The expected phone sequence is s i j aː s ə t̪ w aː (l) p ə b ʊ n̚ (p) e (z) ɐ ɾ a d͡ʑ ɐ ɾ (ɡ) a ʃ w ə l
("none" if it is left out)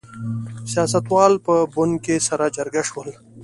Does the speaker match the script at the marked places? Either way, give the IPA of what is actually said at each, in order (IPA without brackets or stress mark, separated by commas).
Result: l, k, s, ɡ